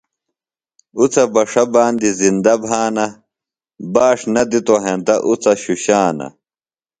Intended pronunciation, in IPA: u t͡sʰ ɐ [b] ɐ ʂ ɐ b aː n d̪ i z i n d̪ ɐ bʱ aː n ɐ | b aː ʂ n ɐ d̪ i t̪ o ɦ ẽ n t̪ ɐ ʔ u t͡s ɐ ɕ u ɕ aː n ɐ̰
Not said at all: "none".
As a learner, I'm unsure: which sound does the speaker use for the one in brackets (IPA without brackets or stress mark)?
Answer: b